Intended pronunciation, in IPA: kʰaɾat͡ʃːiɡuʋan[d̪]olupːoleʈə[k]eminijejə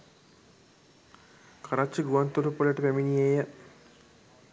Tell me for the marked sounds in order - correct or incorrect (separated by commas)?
incorrect, incorrect